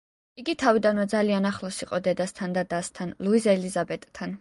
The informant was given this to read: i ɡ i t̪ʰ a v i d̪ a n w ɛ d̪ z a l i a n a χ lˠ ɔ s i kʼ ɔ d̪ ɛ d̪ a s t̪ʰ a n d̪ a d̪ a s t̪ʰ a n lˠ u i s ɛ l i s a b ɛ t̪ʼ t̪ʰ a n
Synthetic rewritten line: i ɡ i t̪ʰ a v i d̪ a n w ɛ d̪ z a l i a n a χ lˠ ɔ s i qʼ ɔ d̪ ɛ d̪ a s t̪ʰ a n d̪ a d̪ a s t̪ʰ a n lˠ u i z ɛ l i z a b ɛ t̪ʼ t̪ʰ a n

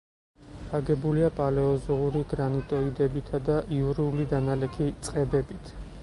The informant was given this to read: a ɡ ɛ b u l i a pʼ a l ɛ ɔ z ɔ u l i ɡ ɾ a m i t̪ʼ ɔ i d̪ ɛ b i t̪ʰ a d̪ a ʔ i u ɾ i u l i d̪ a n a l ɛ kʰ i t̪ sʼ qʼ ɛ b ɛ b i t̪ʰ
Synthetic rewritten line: a ɡ ɛ b u l i a pʼ a l ɛ ɔ z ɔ u ɾ i ɡ ɾ a n i t̪ʼ ɔ i d̪ ɛ b i t̪ʰ a d̪ a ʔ i u ɾ i u l i d̪ a n a l ɛ kʰ i t̪ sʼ qʼ ɛ b ɛ b i t̪ʰ

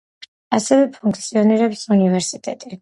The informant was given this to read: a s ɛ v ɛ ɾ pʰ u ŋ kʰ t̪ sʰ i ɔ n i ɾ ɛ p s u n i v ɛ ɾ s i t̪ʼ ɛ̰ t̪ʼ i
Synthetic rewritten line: a s ɛ v ɛ pʰ u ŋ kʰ t̪ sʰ i ɔ n i ɾ ɛ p s u n i v ɛ ɾ s i t̪ʼ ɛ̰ t̪ʼ i

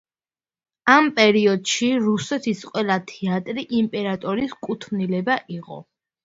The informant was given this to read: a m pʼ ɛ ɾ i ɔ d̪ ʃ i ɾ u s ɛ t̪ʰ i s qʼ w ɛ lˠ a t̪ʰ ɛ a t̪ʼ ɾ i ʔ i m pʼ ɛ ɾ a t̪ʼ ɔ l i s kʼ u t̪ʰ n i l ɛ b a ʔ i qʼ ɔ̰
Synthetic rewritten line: a m pʼ ɛ ɾ i ɔ d̪ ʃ i ɾ u s ɛ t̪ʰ i s qʼ w ɛ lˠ a t̪ʰ ɛ a t̪ʼ ɾ i ʔ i m pʼ ɛ ɾ a t̪ʼ ɔ ɾ i s kʼ u t̪ʰ n i l ɛ b a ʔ i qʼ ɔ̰

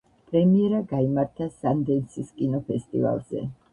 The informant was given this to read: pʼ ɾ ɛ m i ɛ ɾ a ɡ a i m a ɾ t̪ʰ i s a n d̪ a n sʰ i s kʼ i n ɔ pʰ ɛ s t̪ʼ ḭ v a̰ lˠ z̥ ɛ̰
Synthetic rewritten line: pʼ ɾ ɛ m i ɛ ɾ a ɡ a i m a ɾ t̪ʰ a s a n d̪ ɛ n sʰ i s kʼ i n ɔ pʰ ɛ s t̪ʼ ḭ v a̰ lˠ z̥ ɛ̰

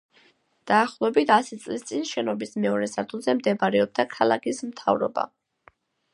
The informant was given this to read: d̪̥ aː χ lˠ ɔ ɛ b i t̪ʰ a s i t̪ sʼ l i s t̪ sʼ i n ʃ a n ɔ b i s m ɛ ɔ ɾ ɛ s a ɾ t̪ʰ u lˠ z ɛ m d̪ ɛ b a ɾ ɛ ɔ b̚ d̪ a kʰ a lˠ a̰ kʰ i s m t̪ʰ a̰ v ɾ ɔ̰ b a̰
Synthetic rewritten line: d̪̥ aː χ lˠ ɔ ɛ b i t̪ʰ a s i t̪ sʼ l i s t̪ sʼ i n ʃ ɛ n ɔ b i s m ɛ ɔ ɾ ɛ s a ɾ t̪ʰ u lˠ z ɛ m d̪ ɛ b a ɾ ɛ ɔ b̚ d̪ a kʰ a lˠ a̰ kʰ i s m t̪ʰ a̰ v ɾ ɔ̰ b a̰

